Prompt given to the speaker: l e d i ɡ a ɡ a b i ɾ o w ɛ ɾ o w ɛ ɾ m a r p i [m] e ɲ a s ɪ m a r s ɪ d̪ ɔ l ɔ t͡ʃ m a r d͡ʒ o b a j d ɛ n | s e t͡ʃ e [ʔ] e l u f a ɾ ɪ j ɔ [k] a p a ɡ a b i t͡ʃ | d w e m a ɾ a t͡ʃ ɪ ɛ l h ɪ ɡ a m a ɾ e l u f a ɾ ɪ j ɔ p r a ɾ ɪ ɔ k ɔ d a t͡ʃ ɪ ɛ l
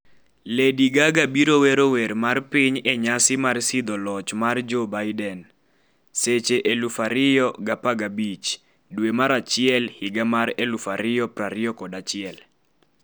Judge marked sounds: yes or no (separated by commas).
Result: no, yes, no